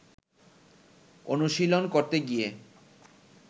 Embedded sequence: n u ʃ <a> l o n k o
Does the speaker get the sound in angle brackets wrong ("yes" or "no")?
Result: yes